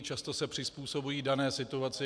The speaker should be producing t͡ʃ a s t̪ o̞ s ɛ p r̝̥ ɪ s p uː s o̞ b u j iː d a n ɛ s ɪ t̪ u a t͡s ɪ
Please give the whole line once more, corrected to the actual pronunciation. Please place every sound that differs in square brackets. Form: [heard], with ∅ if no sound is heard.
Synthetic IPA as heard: t͡ʃ a s t̪ o̞ s ɛ p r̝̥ ɪ s p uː s o̞ b u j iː d a n [ɛː] s ɪ t̪ u a t͡s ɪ